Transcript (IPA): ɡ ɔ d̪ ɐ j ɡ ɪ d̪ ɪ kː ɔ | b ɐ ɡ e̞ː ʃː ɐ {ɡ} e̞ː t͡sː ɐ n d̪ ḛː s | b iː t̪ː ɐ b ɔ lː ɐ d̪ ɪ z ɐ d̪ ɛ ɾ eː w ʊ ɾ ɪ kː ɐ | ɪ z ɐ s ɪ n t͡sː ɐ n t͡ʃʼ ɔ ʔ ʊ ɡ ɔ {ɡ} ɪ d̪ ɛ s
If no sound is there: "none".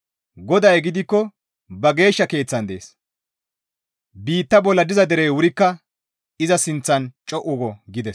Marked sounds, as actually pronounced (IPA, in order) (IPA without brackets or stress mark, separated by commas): k, ɡ